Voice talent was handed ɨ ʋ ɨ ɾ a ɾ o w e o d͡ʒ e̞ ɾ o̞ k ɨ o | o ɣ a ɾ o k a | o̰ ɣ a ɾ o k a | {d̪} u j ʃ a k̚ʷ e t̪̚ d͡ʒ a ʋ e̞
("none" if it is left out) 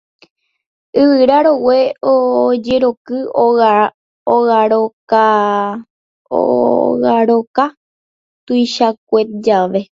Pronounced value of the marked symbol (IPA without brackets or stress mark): t̪